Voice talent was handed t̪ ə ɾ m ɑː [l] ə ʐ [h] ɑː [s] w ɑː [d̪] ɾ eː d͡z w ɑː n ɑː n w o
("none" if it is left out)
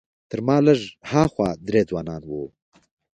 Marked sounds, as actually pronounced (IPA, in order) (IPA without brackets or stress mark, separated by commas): l, h, x, d̪